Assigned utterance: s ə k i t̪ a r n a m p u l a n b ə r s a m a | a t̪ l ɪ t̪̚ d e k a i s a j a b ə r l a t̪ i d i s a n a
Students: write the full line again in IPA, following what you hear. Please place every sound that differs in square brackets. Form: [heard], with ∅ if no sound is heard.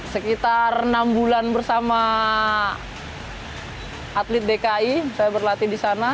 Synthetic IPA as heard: s ə k i t̪ a r n a m [b] u l a n b ə r s a m a | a t̪ l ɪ t̪̚ d e k a i s a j a b ə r l a t̪ i d i s a n a